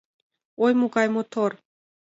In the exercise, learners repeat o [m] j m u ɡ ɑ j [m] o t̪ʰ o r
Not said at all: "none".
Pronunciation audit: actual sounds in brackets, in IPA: none, m

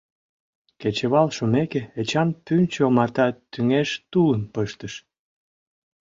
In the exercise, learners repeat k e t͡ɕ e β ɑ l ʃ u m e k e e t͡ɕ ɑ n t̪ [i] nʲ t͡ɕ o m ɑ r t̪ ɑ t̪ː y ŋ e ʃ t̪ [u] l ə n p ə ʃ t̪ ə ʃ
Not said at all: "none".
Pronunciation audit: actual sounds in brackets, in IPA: y, u

